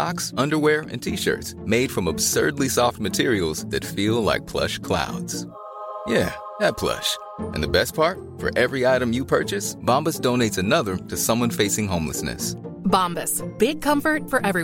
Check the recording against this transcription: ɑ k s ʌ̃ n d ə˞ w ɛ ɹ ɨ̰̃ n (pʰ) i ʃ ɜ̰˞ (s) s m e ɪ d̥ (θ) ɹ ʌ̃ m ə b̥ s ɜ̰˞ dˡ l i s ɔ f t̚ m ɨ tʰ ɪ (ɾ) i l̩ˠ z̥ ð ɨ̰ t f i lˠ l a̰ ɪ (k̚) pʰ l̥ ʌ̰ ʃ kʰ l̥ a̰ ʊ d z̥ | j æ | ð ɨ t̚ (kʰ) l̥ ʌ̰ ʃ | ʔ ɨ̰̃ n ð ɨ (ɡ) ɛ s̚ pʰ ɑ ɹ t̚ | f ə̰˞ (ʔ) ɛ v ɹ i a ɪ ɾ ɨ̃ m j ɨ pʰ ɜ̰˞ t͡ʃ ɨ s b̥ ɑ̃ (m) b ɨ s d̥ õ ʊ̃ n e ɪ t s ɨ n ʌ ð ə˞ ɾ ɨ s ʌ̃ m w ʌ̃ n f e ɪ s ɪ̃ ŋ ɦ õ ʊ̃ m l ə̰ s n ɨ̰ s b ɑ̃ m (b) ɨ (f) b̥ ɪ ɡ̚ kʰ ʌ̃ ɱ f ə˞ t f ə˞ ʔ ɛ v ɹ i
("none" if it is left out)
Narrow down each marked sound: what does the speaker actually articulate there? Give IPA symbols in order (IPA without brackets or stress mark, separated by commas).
tʰ, t, f, ɹ, k̚, pʰ, b, ʔ, m, b, s